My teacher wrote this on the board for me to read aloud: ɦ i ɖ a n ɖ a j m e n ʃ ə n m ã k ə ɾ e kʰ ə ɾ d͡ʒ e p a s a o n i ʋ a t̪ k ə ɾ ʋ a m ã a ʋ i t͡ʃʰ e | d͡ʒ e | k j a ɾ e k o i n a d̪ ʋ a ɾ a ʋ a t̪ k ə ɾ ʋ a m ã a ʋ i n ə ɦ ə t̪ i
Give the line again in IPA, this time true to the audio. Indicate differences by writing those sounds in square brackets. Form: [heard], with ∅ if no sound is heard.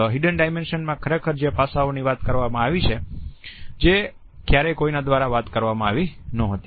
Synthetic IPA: ɦ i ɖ [ə] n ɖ a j m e n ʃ ə n m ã [kʰ] ə ɾ e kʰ ə ɾ d͡ʒ e p a s a o n i ʋ a t̪ k ə ɾ ʋ a m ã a ʋ i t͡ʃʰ e | d͡ʒ e | k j a ɾ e k o i n a d̪ ʋ a ɾ a ʋ a t̪ k ə ɾ ʋ a m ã a ʋ i n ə ɦ ə t̪ i

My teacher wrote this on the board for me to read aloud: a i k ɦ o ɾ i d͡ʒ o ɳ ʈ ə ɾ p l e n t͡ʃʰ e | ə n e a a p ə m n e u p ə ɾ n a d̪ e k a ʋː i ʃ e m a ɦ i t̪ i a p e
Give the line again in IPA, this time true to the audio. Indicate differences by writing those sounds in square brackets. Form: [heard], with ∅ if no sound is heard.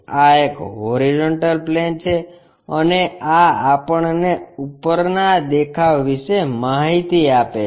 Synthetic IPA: a [e] k ɦ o ɾ i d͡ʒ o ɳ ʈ ə [l] p l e n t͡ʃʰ e | ə n e a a p ə [ɳ] n e u p ə ɾ n a d̪ e [kʰ] a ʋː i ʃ e m a ɦ i t̪ i a p e

